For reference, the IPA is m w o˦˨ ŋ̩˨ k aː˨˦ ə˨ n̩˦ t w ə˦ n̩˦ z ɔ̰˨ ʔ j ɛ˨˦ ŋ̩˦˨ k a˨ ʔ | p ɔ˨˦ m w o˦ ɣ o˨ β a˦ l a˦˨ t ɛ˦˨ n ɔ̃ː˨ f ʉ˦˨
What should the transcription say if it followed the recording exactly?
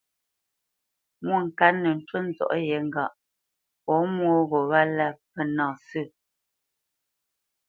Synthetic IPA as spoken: m w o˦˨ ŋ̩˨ k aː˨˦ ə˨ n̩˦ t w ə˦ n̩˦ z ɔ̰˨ ʔ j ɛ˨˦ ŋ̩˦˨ ɡ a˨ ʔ | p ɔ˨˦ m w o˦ ɣ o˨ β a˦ l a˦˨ p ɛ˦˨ n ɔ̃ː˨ s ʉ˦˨